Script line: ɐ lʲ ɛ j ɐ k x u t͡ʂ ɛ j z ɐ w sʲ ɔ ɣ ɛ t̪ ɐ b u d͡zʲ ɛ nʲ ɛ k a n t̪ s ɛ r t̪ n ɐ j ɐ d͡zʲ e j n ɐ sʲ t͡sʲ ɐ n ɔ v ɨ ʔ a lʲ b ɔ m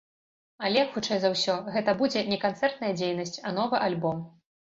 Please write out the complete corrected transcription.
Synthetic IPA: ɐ lʲ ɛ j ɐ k x u t͡ʂ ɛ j z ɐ w sʲ ɔ ɣ ɛ t̪ ɐ b u d͡zʲ ɛ nʲ ɛ k a n t̪ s ɛ r t̪ n ɐ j ɐ d͡zʲ e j n ɐ sʲ t͡sʲ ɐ n ɔ v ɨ ʔ a lʲ b ɔ m